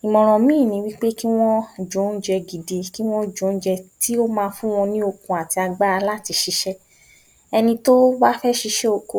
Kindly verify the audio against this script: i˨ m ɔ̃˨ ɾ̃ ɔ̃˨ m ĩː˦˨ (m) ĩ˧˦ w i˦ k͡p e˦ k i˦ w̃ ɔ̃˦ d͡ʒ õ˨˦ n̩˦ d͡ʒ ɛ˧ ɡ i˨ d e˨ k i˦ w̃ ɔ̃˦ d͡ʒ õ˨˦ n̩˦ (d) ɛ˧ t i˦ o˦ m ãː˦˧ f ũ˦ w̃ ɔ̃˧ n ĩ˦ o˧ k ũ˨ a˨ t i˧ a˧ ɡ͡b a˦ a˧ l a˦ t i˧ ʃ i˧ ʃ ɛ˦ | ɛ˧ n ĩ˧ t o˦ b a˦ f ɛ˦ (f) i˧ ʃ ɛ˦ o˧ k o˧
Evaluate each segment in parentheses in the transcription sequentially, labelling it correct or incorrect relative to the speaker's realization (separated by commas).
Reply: incorrect, incorrect, incorrect